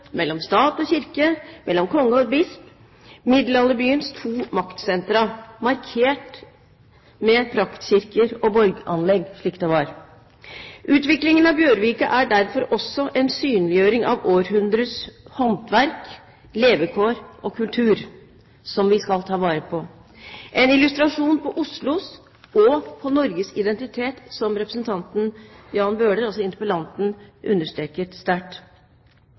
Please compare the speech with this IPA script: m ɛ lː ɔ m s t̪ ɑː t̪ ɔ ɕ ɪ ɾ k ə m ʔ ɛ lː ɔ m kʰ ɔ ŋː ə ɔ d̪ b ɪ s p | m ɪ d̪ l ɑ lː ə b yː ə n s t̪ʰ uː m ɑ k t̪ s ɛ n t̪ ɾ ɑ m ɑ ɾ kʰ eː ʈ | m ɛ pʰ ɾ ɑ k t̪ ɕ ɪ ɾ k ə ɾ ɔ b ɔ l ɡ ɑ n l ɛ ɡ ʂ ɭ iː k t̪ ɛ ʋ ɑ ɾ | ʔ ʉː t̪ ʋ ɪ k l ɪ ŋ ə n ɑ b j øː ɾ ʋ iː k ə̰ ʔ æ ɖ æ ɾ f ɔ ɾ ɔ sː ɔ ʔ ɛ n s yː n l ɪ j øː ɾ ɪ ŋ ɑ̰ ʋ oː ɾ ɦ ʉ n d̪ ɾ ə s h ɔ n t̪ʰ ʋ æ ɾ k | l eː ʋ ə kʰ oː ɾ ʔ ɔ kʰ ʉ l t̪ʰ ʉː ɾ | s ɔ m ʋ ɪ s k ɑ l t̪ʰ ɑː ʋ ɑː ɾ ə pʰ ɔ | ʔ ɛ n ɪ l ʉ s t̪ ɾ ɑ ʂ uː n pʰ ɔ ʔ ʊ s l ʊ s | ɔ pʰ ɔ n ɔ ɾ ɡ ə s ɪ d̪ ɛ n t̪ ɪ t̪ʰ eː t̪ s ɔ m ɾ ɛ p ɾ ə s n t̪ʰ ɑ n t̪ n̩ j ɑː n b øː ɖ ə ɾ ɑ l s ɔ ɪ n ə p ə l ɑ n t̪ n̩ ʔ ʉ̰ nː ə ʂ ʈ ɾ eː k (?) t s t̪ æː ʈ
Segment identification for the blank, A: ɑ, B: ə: B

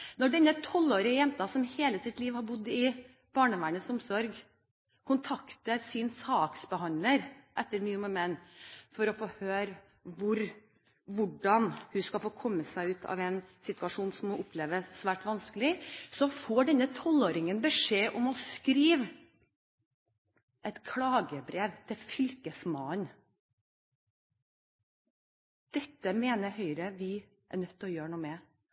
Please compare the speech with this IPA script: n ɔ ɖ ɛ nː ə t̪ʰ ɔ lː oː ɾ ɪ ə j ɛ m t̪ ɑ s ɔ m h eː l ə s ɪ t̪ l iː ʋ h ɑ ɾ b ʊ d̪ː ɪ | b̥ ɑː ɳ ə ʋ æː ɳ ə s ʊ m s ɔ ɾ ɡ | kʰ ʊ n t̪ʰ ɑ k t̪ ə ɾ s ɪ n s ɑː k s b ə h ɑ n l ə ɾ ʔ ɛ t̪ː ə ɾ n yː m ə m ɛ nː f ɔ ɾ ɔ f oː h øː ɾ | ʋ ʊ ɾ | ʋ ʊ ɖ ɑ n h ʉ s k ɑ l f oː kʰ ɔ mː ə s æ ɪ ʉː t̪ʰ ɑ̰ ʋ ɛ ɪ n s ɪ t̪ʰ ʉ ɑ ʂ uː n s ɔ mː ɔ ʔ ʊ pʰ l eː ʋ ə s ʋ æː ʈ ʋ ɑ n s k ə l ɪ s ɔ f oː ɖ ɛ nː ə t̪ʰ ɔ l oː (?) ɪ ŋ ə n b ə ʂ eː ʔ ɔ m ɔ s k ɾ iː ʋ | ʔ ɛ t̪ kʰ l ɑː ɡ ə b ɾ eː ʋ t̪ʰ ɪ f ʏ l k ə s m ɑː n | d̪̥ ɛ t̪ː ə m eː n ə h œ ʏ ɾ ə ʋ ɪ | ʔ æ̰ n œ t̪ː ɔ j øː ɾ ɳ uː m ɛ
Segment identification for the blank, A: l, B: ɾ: B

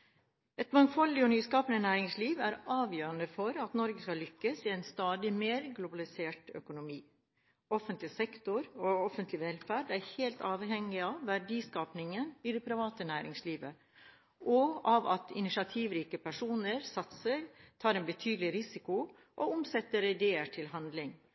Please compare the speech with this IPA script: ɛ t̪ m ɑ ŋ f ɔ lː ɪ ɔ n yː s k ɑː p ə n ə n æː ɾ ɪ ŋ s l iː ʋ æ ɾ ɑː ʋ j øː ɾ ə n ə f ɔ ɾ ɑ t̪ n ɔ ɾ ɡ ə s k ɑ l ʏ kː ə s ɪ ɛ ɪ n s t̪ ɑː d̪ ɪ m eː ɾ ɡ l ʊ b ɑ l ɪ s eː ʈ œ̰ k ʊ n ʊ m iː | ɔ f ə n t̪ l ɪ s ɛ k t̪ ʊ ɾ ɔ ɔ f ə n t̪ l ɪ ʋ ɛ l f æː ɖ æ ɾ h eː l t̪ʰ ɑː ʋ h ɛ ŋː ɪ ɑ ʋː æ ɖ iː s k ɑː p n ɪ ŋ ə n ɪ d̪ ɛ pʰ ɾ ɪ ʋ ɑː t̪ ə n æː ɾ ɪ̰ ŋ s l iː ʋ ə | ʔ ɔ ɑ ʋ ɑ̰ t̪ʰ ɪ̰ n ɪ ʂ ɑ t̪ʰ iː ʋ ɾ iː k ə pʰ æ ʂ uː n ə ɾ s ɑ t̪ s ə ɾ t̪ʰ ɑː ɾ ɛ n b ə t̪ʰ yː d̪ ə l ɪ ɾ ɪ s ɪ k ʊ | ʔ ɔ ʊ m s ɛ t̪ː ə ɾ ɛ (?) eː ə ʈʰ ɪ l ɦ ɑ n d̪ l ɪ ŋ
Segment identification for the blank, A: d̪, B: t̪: A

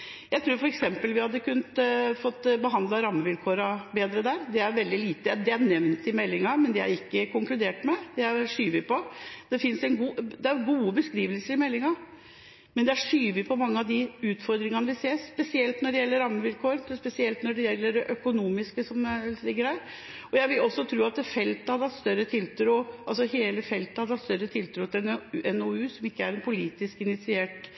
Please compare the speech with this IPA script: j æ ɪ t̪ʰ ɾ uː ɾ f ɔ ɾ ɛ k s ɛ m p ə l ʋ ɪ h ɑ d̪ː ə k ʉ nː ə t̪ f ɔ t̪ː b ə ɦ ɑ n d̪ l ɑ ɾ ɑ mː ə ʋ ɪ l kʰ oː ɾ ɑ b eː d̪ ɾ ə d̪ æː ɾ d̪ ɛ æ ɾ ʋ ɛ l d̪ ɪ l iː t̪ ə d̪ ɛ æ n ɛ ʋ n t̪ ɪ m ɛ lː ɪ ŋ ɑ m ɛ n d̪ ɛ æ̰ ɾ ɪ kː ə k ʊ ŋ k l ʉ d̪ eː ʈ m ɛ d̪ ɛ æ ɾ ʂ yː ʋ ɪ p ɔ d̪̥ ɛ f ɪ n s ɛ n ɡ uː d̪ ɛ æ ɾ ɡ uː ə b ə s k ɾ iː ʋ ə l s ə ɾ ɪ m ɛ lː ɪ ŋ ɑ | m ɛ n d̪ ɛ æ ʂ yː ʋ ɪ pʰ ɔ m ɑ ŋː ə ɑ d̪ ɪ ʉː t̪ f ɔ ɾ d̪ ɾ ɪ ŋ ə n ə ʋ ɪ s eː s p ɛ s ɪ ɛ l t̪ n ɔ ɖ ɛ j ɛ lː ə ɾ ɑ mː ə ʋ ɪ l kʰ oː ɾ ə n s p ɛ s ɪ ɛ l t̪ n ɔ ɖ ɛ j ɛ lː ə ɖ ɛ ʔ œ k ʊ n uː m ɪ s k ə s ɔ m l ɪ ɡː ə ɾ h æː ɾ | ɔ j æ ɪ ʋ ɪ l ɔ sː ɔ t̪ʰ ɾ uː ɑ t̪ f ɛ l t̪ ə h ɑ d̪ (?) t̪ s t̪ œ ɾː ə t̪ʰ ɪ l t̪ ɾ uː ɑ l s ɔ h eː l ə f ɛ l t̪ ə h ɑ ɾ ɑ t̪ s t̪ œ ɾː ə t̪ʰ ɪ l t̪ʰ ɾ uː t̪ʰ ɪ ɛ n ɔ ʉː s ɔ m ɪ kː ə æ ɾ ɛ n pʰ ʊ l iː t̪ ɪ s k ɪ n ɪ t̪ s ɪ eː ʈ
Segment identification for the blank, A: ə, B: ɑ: B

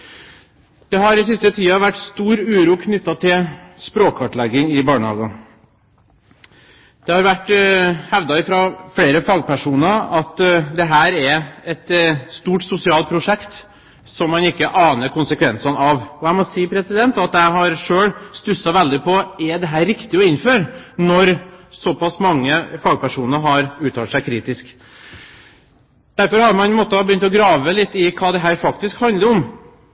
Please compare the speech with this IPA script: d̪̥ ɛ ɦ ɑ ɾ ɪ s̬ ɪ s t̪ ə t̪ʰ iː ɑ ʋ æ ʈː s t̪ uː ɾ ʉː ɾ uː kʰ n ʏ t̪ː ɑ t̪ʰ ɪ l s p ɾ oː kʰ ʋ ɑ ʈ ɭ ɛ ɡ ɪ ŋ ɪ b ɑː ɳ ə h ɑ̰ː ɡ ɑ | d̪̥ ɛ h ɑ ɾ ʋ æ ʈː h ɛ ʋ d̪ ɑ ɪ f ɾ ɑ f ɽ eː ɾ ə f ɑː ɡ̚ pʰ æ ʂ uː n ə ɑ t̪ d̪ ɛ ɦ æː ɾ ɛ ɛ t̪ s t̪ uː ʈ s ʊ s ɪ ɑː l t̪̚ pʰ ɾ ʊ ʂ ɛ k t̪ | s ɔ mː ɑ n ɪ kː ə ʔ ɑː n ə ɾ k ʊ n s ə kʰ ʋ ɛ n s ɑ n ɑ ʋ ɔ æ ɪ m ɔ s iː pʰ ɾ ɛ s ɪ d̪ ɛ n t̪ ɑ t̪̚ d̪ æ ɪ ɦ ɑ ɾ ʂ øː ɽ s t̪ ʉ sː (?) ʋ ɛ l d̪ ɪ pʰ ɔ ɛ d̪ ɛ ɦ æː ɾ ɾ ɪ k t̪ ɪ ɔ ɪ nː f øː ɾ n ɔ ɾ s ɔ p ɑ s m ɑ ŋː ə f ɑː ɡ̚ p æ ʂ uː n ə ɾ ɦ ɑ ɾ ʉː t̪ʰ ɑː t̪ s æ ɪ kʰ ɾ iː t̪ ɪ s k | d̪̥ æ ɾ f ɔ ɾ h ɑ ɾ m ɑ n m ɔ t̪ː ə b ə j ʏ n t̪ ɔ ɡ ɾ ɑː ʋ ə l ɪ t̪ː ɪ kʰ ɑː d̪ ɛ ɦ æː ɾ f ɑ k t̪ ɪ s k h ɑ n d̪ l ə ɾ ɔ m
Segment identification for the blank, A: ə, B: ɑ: B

